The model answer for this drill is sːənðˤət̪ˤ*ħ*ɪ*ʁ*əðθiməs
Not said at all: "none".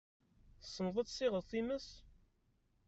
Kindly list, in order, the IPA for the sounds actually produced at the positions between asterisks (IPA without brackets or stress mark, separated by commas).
s, ʁ